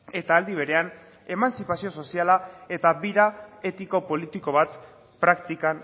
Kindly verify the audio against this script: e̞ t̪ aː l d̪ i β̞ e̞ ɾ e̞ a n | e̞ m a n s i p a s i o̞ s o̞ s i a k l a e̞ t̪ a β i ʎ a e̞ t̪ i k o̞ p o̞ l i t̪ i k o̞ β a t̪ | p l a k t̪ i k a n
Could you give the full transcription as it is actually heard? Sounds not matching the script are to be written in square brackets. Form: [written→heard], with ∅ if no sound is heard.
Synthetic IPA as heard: e̞ t̪ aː l d̪ i β̞ e̞ ɾ e̞ a n | e̞ m a n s i p a s i o̞ s o̞ s i a [k→∅] l a e̞ t̪ a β i [ʎ→ɾ] a e̞ t̪ i k o̞ p o̞ l i t̪ i k o̞ β a t̪ | p [l→ɾ] a k t̪ i k a n

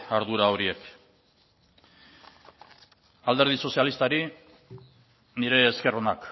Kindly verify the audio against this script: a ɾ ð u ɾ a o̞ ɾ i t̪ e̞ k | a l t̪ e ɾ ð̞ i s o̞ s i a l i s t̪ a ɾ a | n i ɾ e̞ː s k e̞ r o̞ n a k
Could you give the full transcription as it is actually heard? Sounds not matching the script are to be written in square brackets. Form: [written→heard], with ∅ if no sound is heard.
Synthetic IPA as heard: a ɾ ð u ɾ a o̞ ɾ i [t̪→∅] e̞ k | a l [t̪→d̪] e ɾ ð̞ i s o̞ s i a l i s t̪ a ɾ [a→i] | n i ɾ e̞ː s k e̞ r o̞ n a k

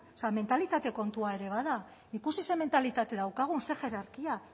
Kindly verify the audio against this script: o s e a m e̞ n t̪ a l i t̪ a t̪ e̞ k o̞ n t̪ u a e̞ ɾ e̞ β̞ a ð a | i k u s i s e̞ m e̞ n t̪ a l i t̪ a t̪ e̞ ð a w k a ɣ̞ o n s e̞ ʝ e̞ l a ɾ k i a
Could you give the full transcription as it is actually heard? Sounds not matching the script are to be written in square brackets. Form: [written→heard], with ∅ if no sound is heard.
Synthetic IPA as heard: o s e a m e̞ n t̪ a l i t̪ a t̪ e̞ k o̞ n t̪ u a e̞ ɾ e̞ β̞ a ð a | i k u s i s e̞ m e̞ n t̪ a l i t̪ a t̪ e̞ ð a w k a ɣ̞ [o→u] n s e̞ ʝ e̞ [l→ɾ] a ɾ k i a

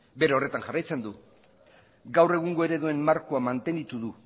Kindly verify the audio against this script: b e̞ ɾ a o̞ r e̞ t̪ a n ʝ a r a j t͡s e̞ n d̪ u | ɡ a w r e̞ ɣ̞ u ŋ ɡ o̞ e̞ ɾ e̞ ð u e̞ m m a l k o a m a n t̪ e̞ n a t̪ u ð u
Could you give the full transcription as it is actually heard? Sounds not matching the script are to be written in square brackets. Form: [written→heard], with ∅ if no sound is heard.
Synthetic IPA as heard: b e̞ ɾ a o̞ r e̞ t̪ a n ʝ a r a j t͡s e̞ n d̪ u | ɡ a w r e̞ ɣ̞ u ŋ ɡ o̞ e̞ ɾ e̞ ð u e̞ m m a [l→ɾ] k o a m a n t̪ e̞ n [a→i] t̪ u ð u

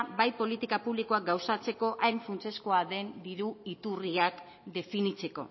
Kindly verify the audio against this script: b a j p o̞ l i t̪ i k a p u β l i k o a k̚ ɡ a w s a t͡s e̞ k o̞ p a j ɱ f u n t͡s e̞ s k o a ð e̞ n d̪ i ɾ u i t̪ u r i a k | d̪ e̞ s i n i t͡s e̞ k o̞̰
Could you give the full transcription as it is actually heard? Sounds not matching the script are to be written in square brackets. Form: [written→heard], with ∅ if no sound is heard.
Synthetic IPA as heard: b a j p o̞ l i t̪ i k a p u β l i k o a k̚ ɡ a w s a t͡s e̞ k o̞ [p→ʔ] a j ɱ f u n t͡s e̞ s k o a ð e̞ n d̪ i ɾ u i t̪ u r i a k | d̪ e̞ [s→f] i n i t͡s e̞ k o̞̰

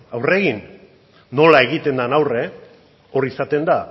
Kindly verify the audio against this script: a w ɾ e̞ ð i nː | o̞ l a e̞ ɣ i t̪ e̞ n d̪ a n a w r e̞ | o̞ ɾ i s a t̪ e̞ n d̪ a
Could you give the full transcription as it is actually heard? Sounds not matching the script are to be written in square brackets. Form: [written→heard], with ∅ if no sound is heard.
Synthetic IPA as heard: a w [ɾ→r] e̞ [ð→ɣ] i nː | o̞ l a e̞ ɣ i t̪ e̞ n d̪ a n a w r e̞ | o̞ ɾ i s a t̪ e̞ n d̪ a

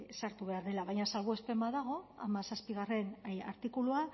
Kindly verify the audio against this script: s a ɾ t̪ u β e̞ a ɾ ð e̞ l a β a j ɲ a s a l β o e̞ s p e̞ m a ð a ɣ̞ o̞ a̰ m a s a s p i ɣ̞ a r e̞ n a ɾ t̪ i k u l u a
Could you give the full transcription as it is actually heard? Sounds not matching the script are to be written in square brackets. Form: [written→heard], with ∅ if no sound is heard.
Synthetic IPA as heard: s a ɾ t̪ u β e̞ a ɾ ð e̞ l a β a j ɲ a s a l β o e̞ s p e̞ m a ð a ɣ̞ o̞ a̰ m a s a s p i ɣ̞ a r e̞ n a ɾ t̪ i k u l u a

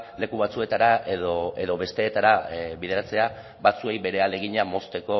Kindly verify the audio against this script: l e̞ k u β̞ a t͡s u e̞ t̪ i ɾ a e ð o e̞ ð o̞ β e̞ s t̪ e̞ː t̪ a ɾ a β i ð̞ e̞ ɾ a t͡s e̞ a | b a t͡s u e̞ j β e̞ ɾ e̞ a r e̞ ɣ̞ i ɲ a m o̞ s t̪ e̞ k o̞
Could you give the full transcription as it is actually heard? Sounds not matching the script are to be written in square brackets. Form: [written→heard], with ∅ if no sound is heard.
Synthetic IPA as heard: l e̞ k u β̞ a t͡s u e̞ t̪ [i→a] ɾ a e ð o e̞ ð o̞ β e̞ s t̪ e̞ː t̪ a ɾ a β i ð̞ e̞ ɾ a t͡s e̞ a | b a t͡s u e̞ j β e̞ ɾ e̞ a [r→l] e̞ ɣ̞ i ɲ a m o̞ s t̪ e̞ k o̞

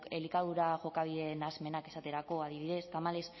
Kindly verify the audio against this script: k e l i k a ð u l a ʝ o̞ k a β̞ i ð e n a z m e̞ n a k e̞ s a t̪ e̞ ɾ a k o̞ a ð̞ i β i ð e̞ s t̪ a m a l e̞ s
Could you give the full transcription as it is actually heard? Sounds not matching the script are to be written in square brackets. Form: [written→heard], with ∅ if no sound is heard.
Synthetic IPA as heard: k e l i k a ð u [l→ɾ] a ʝ o̞ k a β̞ i ð e n a z m e̞ n a k e̞ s a t̪ e̞ ɾ a k o̞ a ð̞ i β i ð e̞ s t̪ a m a l e̞ s

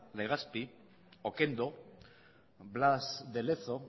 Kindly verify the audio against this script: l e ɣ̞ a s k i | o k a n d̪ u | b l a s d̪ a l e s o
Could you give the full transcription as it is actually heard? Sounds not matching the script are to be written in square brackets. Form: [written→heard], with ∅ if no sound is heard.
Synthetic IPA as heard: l e ɣ̞ a s [k→p] i | o k [a→e] n d̪ [u→o] | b l a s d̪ [a→e] l e [s→θ] o

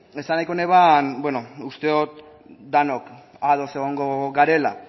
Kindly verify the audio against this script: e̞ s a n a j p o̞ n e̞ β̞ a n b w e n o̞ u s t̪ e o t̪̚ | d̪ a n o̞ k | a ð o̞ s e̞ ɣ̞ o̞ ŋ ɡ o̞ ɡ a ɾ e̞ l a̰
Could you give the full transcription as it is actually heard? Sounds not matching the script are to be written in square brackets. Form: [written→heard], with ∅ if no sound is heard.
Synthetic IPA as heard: e̞ s a n a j [p→k] o̞ n e̞ β̞ a n b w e n o̞ u s t̪ e o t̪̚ | d̪ a n o̞ k | a ð o̞ s e̞ ɣ̞ o̞ ŋ ɡ o̞ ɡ a ɾ e̞ l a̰

